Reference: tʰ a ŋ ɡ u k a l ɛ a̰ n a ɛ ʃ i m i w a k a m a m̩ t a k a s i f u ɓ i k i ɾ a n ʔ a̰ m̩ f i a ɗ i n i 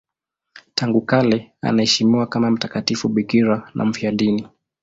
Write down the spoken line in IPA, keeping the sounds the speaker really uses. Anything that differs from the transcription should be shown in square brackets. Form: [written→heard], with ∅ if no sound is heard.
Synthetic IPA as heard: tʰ a ŋ ɡ u k a l ɛ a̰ n a ɛ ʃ i m i w a k a m a m̩ t a k a [s→t] i f u ɓ i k i ɾ a n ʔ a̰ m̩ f i a ɗ i n i